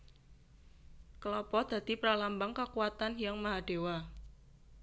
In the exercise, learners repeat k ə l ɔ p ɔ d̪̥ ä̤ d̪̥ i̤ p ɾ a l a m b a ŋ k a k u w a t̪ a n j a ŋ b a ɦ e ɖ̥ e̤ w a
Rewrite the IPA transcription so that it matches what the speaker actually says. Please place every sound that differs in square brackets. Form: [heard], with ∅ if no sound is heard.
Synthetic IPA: k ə l ɔ p ɔ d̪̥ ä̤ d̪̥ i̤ p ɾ a l a m b a ŋ k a k u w a t̪ a n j a ŋ [m] a ɦ [a] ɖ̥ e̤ w a